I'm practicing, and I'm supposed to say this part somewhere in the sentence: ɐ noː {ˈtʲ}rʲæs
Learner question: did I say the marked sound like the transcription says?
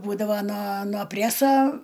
no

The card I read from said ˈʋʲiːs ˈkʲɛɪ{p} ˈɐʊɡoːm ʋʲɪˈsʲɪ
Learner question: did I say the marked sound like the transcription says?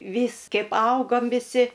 yes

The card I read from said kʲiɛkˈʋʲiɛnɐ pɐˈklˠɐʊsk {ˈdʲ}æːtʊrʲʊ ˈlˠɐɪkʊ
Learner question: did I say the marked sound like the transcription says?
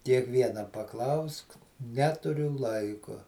no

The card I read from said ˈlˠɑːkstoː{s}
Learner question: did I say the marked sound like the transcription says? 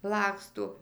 no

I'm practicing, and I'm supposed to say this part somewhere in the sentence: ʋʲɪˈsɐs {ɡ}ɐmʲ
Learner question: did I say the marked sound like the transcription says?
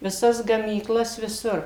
yes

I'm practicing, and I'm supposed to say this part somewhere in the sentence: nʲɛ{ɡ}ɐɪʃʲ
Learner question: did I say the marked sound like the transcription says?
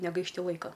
yes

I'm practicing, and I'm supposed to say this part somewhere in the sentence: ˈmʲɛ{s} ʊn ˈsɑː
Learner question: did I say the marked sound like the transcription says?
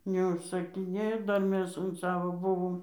yes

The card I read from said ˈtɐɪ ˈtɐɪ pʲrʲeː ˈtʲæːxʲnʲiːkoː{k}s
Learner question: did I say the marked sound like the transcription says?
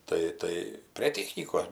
no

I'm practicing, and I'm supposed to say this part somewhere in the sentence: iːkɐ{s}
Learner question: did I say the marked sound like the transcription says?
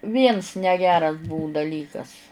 yes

